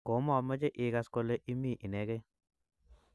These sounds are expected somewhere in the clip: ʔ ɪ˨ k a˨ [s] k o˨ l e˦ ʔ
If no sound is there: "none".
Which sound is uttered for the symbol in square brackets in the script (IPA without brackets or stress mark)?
s